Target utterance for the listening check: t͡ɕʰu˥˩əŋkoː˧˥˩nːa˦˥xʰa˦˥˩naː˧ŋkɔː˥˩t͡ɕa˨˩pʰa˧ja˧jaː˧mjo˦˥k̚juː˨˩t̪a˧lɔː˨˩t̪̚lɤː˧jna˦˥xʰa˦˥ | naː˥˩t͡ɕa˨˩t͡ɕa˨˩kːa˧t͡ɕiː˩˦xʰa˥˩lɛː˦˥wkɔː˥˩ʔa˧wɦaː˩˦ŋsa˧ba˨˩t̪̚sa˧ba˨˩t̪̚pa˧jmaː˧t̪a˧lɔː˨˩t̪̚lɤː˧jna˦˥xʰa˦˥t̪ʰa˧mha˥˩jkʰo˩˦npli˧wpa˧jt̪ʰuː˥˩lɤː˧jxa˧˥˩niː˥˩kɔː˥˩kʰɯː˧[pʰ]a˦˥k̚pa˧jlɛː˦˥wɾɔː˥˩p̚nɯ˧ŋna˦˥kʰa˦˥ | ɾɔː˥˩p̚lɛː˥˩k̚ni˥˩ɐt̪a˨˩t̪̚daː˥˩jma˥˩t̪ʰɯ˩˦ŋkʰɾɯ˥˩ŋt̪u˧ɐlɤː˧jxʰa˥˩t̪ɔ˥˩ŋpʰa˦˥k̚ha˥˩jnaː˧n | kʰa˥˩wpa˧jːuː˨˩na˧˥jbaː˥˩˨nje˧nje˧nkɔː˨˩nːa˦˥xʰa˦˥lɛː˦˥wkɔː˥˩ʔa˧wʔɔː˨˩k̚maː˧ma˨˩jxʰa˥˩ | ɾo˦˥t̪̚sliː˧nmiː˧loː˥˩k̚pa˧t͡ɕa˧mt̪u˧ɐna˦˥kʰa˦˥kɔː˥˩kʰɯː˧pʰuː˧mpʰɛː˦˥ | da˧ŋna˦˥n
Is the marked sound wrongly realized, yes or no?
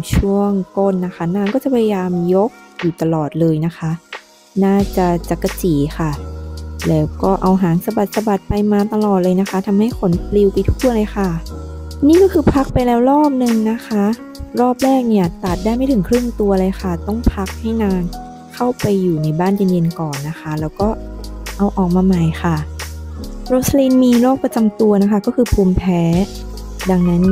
no